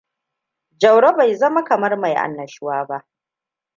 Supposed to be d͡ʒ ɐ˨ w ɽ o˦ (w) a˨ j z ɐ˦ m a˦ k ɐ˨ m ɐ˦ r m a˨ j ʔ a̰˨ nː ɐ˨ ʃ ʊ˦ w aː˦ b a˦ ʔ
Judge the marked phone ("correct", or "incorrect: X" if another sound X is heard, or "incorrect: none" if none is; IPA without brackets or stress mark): incorrect: b